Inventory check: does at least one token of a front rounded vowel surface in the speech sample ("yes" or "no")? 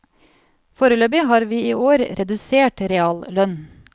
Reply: yes